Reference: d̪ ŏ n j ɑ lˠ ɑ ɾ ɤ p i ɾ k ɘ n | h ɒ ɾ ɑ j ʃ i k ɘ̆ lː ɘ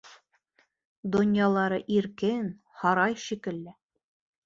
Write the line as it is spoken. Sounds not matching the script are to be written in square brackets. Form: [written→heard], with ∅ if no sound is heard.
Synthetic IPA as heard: d̪ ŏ n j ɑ lˠ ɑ ɾ ɤ [p→ʔ] i ɾ k ɘ n | h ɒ ɾ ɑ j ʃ i k ɘ̆ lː ɘ